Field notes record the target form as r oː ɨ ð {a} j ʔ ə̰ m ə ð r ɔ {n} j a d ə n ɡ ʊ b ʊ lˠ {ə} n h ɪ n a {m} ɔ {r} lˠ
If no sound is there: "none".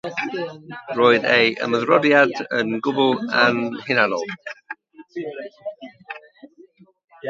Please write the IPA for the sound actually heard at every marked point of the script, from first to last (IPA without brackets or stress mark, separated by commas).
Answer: e, d, a, n, none